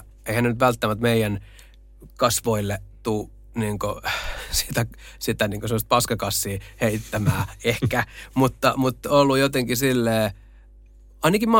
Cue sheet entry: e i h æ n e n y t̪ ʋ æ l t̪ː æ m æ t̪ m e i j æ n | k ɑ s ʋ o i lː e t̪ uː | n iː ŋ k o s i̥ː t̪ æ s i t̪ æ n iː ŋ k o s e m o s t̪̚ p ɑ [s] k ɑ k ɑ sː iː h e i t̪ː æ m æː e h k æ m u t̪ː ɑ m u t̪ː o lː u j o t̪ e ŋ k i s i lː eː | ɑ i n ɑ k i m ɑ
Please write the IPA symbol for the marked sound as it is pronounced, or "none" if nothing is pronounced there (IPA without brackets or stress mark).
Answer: s